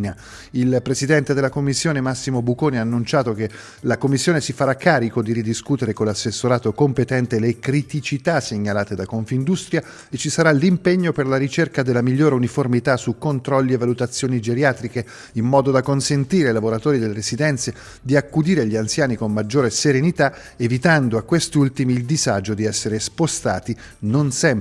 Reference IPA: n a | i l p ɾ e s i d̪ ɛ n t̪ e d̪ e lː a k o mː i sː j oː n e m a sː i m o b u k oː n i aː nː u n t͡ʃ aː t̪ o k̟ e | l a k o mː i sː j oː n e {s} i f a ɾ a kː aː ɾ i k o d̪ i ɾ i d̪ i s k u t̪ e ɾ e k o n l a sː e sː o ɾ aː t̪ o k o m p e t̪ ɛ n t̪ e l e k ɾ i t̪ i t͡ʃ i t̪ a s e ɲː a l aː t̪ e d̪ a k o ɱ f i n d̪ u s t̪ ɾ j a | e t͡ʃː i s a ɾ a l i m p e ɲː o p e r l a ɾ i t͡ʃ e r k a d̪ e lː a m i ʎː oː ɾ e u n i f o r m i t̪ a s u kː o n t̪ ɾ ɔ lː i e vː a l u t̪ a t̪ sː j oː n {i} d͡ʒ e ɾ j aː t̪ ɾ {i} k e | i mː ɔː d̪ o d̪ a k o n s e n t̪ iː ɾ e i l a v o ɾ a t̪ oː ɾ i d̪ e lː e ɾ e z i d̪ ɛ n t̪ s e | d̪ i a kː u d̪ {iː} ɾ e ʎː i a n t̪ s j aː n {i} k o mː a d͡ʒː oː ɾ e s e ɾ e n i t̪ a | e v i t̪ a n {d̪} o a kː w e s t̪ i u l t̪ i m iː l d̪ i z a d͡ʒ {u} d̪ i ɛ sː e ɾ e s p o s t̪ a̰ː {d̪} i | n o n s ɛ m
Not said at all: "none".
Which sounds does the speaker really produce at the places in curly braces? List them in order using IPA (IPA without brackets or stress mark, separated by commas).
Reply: s, i, i, iː, i, d̪, o, t̪